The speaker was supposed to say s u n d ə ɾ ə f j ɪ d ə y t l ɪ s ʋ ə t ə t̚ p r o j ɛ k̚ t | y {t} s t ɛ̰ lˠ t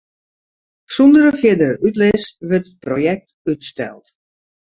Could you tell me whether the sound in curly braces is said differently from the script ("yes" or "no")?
no